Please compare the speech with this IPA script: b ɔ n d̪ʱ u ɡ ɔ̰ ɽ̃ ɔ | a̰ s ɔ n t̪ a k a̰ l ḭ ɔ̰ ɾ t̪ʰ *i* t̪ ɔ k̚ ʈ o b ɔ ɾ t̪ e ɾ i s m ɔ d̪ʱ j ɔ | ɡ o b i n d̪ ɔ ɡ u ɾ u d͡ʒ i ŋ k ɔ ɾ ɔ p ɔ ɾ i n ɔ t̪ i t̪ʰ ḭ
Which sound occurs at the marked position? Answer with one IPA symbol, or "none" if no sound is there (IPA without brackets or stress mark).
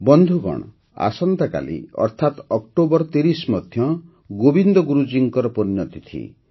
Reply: a